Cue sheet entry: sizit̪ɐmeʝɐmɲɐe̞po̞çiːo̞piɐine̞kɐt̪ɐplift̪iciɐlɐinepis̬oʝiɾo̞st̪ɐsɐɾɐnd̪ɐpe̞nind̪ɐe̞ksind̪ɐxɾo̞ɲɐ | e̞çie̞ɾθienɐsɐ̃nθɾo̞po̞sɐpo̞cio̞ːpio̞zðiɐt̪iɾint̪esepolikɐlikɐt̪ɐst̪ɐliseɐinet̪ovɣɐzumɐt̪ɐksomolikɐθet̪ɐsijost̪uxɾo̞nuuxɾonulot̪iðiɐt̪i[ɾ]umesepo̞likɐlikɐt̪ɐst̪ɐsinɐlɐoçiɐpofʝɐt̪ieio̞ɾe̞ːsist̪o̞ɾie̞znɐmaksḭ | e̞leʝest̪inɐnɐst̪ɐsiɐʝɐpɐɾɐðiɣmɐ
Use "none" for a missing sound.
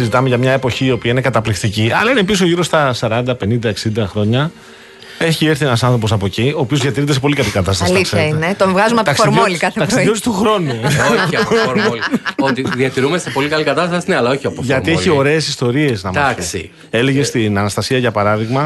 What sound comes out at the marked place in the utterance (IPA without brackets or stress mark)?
ɾ